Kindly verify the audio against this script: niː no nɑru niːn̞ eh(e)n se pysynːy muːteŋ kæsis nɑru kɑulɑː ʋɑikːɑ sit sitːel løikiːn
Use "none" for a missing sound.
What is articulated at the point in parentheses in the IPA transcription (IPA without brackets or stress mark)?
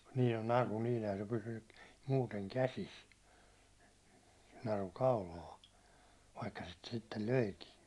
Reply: æ